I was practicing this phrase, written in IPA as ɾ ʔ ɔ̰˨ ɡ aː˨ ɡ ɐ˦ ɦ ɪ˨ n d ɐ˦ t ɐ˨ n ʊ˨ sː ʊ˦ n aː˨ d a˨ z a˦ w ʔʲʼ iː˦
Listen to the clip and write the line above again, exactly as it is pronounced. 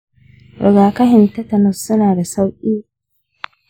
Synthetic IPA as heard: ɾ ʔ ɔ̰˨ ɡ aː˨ k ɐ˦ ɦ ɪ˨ n t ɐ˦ t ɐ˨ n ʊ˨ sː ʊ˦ n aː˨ d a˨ s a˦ w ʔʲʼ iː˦